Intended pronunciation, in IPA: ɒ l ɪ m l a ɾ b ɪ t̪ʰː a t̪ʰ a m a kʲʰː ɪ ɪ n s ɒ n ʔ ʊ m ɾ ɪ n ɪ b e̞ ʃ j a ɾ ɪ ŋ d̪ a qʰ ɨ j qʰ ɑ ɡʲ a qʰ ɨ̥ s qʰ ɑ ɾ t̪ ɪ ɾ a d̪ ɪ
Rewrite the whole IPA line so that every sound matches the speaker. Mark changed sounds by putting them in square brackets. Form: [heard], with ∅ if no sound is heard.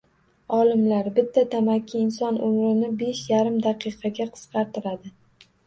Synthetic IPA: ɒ l ɪ m l a ɾ b ɪ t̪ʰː a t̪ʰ a m a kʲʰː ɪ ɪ n s ɒ n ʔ ʊ m ɾ ɪ n ɪ b e̞ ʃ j a ɾ ɪ [m] d̪ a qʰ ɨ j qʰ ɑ ɡʲ a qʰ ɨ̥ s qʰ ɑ ɾ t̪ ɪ ɾ a d̪ ɪ